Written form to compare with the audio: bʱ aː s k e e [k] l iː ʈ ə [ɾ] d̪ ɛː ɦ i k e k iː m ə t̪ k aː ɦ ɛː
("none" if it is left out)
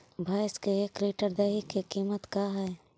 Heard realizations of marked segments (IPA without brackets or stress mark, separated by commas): k, ɾ